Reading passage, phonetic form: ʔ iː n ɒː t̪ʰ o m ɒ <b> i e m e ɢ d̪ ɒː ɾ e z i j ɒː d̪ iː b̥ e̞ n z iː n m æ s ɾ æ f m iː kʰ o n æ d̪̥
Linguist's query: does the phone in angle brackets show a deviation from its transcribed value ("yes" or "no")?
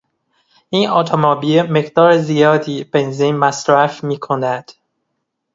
no